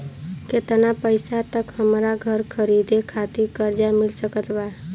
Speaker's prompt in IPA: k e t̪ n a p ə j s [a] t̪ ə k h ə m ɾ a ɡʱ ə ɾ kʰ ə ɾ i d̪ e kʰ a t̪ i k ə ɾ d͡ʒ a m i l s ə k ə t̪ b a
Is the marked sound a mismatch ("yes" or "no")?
no